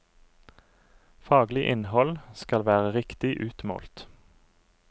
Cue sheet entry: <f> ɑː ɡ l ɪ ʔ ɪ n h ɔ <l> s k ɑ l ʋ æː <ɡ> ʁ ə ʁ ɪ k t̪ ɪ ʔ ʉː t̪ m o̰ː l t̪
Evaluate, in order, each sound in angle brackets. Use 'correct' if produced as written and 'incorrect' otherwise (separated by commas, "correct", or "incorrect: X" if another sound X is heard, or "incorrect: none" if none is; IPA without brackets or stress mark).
correct, correct, incorrect: none